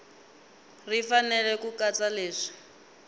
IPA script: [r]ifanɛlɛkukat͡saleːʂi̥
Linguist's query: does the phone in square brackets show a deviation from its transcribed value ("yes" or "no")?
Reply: no